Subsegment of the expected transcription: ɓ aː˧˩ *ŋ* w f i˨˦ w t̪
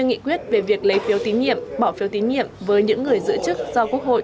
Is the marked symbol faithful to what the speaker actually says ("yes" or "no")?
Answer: no